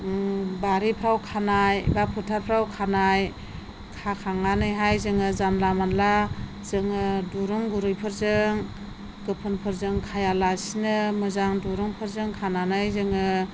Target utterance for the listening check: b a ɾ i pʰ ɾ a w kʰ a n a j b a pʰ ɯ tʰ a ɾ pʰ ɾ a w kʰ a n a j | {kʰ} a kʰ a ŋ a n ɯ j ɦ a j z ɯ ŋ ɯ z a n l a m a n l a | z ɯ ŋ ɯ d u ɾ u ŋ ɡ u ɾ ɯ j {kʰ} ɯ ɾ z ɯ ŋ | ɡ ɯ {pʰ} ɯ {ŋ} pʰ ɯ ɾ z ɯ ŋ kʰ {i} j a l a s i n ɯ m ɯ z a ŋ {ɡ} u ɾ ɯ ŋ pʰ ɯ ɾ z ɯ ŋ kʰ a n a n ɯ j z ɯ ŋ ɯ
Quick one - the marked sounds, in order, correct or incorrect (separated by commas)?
correct, incorrect, correct, incorrect, incorrect, incorrect